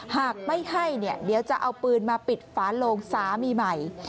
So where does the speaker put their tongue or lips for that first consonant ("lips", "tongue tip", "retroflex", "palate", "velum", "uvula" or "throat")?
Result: throat